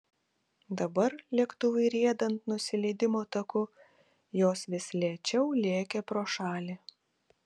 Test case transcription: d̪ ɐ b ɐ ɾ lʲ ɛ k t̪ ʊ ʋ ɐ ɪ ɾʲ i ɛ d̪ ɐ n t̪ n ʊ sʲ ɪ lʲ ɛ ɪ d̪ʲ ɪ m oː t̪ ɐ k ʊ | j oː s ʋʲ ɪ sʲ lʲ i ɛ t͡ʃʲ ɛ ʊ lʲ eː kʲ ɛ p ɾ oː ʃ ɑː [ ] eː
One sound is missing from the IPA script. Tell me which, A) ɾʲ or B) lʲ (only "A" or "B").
B